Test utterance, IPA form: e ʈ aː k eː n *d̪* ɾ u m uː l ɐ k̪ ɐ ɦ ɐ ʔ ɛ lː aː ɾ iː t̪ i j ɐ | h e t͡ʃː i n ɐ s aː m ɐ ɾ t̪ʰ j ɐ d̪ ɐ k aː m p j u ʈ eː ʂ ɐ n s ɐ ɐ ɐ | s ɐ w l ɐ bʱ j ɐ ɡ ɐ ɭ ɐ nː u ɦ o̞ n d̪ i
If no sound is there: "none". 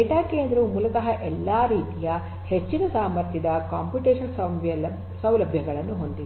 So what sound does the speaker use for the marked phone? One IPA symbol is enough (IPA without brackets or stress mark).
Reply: d̪